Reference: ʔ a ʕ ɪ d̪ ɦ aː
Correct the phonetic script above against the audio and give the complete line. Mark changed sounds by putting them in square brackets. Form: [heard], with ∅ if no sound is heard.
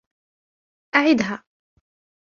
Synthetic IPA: ʔ a ʕ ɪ d̪ ɦ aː